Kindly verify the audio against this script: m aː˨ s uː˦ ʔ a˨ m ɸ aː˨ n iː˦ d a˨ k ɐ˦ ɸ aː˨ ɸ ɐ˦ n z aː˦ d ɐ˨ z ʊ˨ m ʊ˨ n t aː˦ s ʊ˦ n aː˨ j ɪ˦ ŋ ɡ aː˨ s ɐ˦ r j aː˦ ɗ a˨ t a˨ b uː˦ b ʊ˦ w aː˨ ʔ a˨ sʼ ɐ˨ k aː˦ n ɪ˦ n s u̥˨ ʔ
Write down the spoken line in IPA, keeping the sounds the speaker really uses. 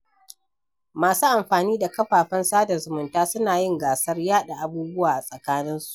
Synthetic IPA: m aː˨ s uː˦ ʔ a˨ m ɸ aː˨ n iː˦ d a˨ k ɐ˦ ɸ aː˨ ɸ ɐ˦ n s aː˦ d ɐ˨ z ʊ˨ m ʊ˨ n t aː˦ s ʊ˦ n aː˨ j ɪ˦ ŋ ɡ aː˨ s ɐ˦ r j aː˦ ɗ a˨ ʔ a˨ b uː˦ b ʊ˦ w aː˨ ʔ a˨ sʼ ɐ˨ k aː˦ n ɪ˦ n s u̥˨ ʔ